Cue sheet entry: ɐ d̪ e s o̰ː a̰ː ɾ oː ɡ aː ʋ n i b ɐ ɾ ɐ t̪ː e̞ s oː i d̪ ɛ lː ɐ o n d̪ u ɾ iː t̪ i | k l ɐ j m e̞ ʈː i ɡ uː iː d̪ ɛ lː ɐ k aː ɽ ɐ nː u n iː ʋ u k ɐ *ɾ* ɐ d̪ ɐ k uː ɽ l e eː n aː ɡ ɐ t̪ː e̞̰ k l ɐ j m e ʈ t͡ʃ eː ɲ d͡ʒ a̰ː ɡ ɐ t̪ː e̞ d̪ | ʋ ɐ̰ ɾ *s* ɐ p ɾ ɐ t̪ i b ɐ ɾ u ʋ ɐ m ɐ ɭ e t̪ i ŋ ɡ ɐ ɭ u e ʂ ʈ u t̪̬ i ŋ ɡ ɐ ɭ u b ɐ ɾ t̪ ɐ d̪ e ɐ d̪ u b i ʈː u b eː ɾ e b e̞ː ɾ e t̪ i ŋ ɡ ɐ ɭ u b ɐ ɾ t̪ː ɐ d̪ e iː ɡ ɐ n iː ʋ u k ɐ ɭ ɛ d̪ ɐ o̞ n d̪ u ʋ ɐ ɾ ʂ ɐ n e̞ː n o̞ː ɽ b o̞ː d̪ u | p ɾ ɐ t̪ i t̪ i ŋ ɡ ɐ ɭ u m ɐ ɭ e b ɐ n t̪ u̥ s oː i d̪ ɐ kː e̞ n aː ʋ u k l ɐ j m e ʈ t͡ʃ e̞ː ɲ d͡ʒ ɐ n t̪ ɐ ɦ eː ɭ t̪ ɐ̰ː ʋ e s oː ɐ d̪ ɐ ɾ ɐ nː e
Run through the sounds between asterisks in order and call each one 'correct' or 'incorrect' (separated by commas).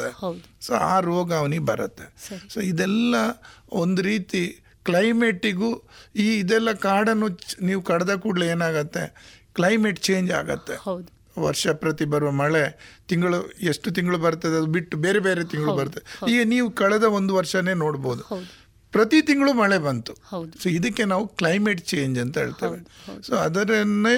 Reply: incorrect, incorrect